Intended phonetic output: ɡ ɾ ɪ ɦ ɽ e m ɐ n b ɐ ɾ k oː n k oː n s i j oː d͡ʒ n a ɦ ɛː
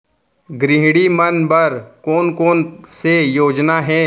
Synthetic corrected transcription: ɡ ɾ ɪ ɦ ɽ i m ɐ n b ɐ ɾ k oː n k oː n s e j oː d͡ʒ n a ɦ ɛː